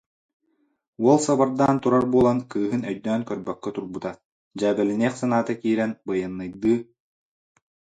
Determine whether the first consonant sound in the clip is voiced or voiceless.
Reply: voiced